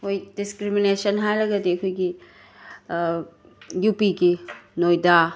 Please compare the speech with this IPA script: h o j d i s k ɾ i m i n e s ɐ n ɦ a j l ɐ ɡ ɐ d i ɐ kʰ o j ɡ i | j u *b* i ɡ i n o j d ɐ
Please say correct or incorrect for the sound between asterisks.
incorrect